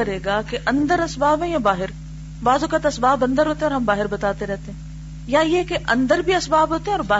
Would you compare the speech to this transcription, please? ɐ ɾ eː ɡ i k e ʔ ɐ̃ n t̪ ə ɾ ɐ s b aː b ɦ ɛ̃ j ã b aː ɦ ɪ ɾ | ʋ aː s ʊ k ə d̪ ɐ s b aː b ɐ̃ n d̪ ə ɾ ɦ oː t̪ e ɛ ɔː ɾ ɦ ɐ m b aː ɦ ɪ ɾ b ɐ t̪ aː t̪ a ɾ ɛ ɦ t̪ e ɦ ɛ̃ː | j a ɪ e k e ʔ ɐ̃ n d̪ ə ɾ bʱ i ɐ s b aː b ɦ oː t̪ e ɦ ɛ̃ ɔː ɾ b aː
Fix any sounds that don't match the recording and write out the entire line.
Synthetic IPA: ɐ ɾ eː ɡ a k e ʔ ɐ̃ n d̪ ə ɾ ɐ s b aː b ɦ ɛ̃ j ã b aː ɦ ɪ ɾ | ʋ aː z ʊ k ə t̪ ɐ s b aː b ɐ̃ n d̪ ə ɾ ɦ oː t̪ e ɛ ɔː ɾ ɦ ɐ m b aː ɦ ɪ ɾ b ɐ t̪ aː t̪ e ɾ ɛ ɦ t̪ e ɦ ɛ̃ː | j a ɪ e k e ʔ ɐ̃ n d̪ ə ɾ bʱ i ɐ s b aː b ɦ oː t̪ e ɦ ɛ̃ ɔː ɾ b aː